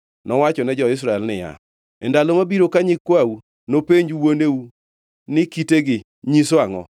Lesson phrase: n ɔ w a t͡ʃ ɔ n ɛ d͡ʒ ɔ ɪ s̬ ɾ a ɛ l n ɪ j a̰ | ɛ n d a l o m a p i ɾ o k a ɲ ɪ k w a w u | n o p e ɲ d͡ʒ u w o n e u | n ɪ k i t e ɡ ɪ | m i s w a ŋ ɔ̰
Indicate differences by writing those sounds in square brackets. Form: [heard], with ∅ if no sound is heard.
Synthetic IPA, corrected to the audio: n ɔ w a t͡ʃ ɔ n ɛ d͡ʒ ɔ ɪ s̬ ɾ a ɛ l n ɪ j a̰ | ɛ n d a l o m a [b] i ɾ o k a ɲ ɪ k w a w u | n o p e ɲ d͡ʒ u w o n e u | n ɪ k i t e ɡ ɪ | [ɲ] i s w a ŋ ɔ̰

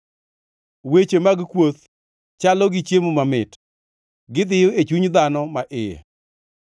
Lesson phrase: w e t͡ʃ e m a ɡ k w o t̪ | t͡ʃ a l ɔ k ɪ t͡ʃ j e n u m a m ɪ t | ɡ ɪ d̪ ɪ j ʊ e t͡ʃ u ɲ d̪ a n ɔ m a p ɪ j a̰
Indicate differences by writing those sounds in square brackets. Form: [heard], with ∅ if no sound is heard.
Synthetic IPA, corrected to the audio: w e t͡ʃ e m a ɡ k w o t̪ | t͡ʃ a l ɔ [ɡ] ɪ t͡ʃ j e [m] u m a m ɪ t | ɡ ɪ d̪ ɪ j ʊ e t͡ʃ u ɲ d̪ a n ɔ m a [ʔ] ɪ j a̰

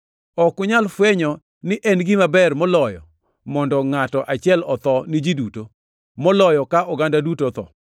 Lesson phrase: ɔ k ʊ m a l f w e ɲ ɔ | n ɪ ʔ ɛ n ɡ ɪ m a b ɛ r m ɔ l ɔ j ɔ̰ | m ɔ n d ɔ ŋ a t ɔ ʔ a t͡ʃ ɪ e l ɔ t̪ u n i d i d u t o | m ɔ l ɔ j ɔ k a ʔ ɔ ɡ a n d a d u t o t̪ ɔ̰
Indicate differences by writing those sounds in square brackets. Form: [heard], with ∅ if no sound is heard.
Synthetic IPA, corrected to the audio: ɔ k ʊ [ɲ] a l f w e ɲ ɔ | n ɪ ʔ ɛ n ɡ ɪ m a b ɛ r m ɔ l ɔ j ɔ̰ | m ɔ n d ɔ ŋ a t ɔ ʔ a t͡ʃ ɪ [ɛ] l ɔ t̪ [ɔ] n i [d͡ʒ] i d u t o | m ɔ l ɔ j ɔ k a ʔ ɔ ɡ a n d a d u t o t̪ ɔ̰

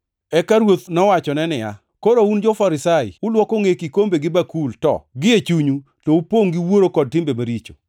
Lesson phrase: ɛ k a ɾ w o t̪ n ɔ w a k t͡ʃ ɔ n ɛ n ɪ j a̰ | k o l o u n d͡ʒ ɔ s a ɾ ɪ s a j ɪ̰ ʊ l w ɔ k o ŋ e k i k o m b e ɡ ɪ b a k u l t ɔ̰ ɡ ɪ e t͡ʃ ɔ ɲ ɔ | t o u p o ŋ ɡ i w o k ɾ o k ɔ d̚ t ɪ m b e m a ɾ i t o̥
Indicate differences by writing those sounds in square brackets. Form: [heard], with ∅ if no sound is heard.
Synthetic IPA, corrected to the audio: ɛ k a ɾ w o t̪ n ɔ w a [∅] t͡ʃ ɔ n ɛ n ɪ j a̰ | k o [ɾ] o u n d͡ʒ ɔ [f] a ɾ ɪ s a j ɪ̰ ʊ l w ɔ k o ŋ e k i k o m b e ɡ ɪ b a k u l t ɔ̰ ɡ ɪ e t͡ʃ [u] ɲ [u] | t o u p o ŋ ɡ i w o [∅] ɾ o k ɔ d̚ t ɪ m b e m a ɾ i [t͡ʃ] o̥

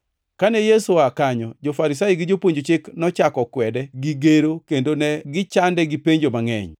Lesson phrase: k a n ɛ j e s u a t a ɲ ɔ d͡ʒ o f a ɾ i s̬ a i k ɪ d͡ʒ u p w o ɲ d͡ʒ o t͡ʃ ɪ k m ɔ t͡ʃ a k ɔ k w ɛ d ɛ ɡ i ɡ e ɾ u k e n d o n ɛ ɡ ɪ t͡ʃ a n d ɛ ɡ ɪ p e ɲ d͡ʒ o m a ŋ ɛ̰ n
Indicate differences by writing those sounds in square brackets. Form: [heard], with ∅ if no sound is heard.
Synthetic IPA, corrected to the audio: k a n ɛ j e s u a [k] a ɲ ɔ d͡ʒ o f a ɾ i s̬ a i [ɡ] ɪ d͡ʒ [o] p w o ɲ d͡ʒ o t͡ʃ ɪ k [n] ɔ t͡ʃ a k ɔ k w ɛ d ɛ ɡ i ɡ e ɾ [o] k e n d o n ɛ ɡ ɪ t͡ʃ a n d ɛ ɡ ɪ p e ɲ d͡ʒ o m a ŋ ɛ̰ [ɲ]

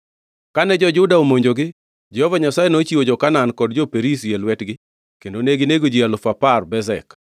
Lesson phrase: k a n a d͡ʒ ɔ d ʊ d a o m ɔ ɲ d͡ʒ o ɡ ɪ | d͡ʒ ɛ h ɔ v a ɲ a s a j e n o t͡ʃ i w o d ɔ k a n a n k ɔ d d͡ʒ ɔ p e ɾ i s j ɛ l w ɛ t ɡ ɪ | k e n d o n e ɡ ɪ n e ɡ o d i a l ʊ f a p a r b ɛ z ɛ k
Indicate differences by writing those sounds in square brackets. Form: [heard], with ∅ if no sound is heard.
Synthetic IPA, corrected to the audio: k a n [ɛ] d͡ʒ ɔ [d͡ʒ] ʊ d a o m [o] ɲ d͡ʒ o ɡ ɪ | d͡ʒ ɛ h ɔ v a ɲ a s a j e n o t͡ʃ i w o [d͡ʒ] ɔ k a n a n k ɔ d d͡ʒ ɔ p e ɾ i s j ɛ l w ɛ t ɡ ɪ | k e n d o n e ɡ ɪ n e ɡ o [d͡ʒ] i a l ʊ f a p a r b ɛ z ɛ k

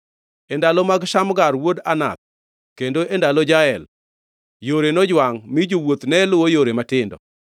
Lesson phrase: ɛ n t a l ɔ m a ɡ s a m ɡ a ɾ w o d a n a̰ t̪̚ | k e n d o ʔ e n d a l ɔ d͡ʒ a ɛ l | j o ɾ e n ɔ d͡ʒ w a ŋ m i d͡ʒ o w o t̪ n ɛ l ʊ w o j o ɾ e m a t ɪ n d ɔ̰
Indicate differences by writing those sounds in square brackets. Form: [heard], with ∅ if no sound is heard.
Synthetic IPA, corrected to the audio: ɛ n [d] a l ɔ m a ɡ [ʃ] a m ɡ a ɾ w o d a n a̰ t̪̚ | k e n d o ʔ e n d a l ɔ d͡ʒ a ɛ l | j o ɾ e n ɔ d͡ʒ w a ŋ m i d͡ʒ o w o t̪ n ɛ l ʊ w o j o ɾ e m a t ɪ n d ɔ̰

